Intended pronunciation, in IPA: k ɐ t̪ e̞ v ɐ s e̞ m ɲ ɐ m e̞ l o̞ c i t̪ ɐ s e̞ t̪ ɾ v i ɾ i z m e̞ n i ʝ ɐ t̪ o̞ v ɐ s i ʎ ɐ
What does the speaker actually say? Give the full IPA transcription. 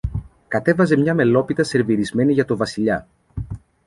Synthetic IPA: k ɐ t̪ e̞ v ɐ z e̞ m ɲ ɐ m e̞ l o̞ p i t̪ ɐ s e̞ ɾ v i ɾ i z m e̞ n i ʝ ɐ t̪ o̞ v ɐ s i ʎ ɐ

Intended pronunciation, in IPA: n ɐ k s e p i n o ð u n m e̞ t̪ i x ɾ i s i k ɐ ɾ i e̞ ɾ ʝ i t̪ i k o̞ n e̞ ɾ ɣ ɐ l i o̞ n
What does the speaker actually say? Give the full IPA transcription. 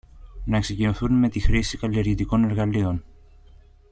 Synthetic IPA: n ɐ k s e c i n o θ u n m e̞ t̪ i x ɾ i s i k ɐ l i e̞ ɾ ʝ i t̪ i k o̞ n e̞ ɾ ɣ ɐ l i o̞ n

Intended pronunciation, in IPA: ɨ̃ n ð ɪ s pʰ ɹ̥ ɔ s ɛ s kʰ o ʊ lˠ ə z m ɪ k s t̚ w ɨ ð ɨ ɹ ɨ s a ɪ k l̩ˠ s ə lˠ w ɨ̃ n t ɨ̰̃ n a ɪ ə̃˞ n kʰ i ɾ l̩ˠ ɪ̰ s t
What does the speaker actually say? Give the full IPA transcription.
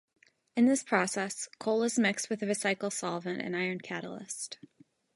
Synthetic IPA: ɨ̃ n ð ɪ s pʰ ɹ̥ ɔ s ɛ s kʰ o ʊ lˠ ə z m ɪ k s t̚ w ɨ ð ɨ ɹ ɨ s a ɪ k l̩ˠ s ɑ lˠ v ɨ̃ n t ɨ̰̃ n a ɪ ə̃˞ n kʰ æ ɾ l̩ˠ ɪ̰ s t

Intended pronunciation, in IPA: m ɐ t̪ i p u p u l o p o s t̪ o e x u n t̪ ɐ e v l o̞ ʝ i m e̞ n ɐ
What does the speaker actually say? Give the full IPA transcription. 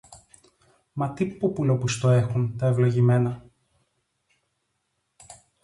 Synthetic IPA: m ɐ t̪ i p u p u l o p u s t̪ o e x u n t̪ ɐ e v l o̞ ʝ i m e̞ n ɐ

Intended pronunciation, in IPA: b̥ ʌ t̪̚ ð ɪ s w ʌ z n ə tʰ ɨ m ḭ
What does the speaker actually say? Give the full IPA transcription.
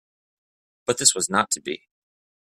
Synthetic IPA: b̥ ʌ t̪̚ ð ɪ s w ʌ z n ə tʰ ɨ b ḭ

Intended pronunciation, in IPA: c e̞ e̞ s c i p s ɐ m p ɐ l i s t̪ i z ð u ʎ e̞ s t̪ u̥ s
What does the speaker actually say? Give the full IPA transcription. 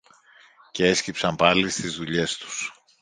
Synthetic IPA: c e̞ e̞ s c i p s ɐ m p ɐ l i s t̪ i z ð u ʎ e̞ s t̪ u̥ s

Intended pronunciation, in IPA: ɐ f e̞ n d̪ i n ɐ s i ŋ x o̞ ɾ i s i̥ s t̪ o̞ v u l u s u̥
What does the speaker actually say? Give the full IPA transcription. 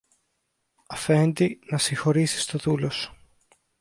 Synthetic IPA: ɐ f e̞ n d̪ i n ɐ s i ŋ x o̞ ɾ i s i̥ s t̪ o̞ ð u l o s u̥

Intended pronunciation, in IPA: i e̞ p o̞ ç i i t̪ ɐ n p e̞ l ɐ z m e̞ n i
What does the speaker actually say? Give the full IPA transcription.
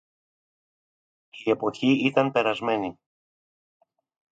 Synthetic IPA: i e̞ p o̞ ç i i t̪ ɐ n p e̞ ɾ ɐ z m e̞ n i

